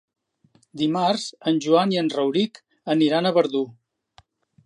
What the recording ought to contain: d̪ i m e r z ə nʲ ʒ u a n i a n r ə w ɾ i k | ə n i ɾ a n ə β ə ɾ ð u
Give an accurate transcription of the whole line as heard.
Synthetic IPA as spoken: d̪ i m a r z ə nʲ ʒ u a n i ə n r ə w ɾ i k | ə n i ɾ a n ə β ə ɾ ð u